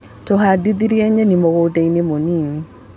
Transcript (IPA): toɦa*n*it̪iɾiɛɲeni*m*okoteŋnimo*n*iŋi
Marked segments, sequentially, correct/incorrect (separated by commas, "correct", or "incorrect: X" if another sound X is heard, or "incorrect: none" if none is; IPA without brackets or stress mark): incorrect: d, correct, correct